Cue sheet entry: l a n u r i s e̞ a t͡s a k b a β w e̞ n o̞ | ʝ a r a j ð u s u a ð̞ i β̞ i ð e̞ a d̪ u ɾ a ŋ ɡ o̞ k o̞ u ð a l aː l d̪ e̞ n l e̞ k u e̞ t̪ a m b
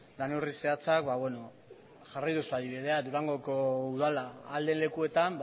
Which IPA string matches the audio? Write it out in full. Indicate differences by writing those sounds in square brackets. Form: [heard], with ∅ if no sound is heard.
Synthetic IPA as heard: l a n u r i s e̞ a t͡s a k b a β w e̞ n o̞ | ʝ a r a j ð u s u a ð̞ i β̞ i ð e̞ a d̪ u ɾ a ŋ ɡ o̞ k o̞ u ð a l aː l d̪ e̞ n l e̞ k u e̞ t̪ a m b